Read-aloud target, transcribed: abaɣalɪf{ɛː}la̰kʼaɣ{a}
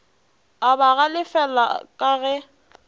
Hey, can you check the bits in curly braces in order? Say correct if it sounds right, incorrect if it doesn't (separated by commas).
incorrect, incorrect